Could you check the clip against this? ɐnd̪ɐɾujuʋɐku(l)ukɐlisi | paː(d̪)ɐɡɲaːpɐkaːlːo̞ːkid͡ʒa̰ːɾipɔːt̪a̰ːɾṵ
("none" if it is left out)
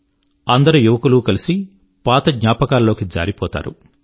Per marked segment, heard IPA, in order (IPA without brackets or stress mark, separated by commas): l, t̪